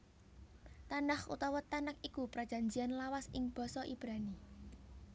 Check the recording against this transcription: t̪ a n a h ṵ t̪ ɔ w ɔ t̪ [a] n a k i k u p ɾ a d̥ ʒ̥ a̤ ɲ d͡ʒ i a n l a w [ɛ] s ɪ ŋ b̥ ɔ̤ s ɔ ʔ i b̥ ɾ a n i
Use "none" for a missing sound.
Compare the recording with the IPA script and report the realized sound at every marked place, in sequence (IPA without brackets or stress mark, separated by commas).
a, a